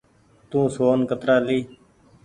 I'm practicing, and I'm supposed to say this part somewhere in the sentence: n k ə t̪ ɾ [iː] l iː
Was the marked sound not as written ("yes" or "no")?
yes